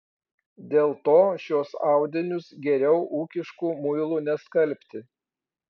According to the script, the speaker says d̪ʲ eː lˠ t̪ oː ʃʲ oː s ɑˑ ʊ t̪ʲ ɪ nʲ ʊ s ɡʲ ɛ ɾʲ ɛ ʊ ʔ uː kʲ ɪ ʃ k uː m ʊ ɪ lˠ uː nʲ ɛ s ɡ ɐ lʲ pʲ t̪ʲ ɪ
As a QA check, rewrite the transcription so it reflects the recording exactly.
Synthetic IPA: d̪ʲ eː lˠ t̪ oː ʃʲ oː s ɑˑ ʊ d̪ʲ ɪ nʲ ʊ s ɡʲ ɛ ɾʲ ɛ ʊ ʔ uː kʲ ɪ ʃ k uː m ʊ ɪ lˠ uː nʲ ɛ s k ɐ lʲ pʲ t̪ʲ ɪ